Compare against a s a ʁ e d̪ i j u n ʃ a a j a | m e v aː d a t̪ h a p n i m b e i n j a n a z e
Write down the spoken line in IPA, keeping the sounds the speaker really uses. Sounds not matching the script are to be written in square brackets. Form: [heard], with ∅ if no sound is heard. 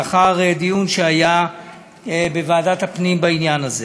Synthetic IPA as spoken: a [χ] a ʁ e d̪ i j u n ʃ [e] a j a | [b] e v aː d a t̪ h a p n i m b [a] i n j a n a z e